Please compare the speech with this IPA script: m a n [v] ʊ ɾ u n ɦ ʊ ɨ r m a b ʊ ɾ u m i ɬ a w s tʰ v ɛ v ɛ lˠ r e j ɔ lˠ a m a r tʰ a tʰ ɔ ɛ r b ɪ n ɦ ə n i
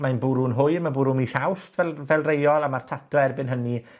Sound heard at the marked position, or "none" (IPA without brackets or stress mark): b